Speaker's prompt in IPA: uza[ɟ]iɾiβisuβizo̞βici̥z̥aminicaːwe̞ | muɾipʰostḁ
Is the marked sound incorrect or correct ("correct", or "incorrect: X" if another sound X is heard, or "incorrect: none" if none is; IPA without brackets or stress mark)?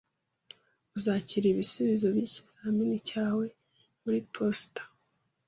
incorrect: c